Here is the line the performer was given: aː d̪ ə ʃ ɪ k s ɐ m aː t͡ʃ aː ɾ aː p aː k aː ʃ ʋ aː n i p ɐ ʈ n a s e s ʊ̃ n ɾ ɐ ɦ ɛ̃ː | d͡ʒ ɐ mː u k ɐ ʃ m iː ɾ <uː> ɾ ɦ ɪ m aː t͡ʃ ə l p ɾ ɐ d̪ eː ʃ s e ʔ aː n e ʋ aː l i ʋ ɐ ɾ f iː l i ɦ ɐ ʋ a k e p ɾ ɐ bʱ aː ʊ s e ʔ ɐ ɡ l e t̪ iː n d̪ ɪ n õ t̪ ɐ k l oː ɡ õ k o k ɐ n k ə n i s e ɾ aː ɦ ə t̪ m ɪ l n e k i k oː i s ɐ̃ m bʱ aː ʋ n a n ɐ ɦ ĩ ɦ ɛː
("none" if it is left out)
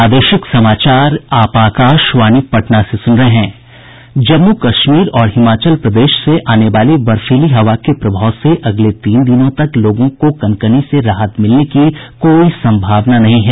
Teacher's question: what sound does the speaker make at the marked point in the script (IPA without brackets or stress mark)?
ɔː